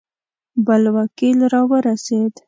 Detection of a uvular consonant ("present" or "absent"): absent